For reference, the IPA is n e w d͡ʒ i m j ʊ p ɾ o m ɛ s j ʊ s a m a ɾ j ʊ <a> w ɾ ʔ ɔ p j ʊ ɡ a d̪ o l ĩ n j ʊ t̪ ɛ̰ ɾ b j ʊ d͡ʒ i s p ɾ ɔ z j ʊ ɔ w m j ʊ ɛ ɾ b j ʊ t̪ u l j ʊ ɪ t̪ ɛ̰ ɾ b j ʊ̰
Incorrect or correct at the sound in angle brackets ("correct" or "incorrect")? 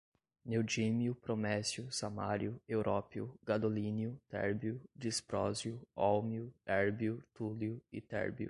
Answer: incorrect